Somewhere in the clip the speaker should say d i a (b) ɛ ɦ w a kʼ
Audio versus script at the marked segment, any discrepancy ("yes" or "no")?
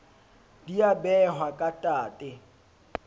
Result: no